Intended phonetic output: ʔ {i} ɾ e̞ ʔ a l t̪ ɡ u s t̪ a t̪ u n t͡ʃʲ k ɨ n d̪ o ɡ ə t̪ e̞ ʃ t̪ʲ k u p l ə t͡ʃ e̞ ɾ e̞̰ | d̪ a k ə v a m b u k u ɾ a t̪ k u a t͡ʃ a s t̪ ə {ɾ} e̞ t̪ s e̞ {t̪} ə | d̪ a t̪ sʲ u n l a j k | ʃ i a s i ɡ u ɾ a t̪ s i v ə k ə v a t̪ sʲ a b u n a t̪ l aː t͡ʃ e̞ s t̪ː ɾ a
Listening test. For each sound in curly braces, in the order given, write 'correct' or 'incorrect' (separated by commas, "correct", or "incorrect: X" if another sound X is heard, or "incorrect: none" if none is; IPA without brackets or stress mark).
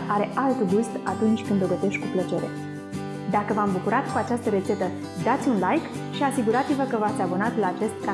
incorrect: a, correct, correct